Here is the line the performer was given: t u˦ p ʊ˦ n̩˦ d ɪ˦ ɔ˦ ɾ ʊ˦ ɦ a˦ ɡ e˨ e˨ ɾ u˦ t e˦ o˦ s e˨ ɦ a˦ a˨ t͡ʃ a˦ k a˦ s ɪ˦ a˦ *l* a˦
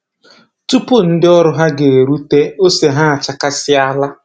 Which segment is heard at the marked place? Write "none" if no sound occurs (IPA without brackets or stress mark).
l